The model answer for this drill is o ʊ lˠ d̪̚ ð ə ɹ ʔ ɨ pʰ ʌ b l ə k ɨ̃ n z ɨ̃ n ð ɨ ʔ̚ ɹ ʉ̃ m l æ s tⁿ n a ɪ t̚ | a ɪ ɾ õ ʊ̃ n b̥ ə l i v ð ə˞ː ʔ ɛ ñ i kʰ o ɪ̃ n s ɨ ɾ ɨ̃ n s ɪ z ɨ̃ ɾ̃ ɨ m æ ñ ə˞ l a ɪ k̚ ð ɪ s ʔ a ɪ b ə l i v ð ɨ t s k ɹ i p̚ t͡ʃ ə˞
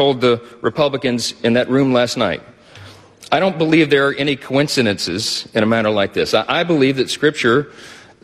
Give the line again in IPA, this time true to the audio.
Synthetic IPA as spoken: o ʊ lˠ d̪̚ ð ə ɹ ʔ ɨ pʰ ʌ b l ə k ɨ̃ n z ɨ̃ n ð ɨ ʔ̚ ɹ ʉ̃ m l æ s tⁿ n a ɪ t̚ | a ɪ ɾ õ ʊ̃ n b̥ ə l i v ð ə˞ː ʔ ɛ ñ i kʰ o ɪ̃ n s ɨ ɾ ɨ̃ n s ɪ z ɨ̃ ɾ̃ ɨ m æ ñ ə˞ l a ɪ k̚ ð ɪ s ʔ a ɪ b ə l i v ð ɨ t s k ɹ ɪ p̚ t͡ʃ ə˞